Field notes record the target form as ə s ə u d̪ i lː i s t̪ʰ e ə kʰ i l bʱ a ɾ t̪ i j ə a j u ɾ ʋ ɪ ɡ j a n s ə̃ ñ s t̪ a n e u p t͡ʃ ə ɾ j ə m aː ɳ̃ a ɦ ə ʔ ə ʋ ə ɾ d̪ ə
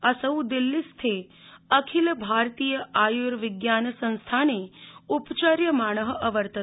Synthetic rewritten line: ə s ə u d̪ i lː i s t̪ʰ e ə kʰ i l bʱ a ɾ t̪ i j ə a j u ɾ ʋ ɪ ɡ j a n s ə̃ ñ s t̪ʰ a n e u p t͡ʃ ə ɾ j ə m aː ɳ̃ ə ɦ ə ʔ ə ʋ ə ɾ t̪ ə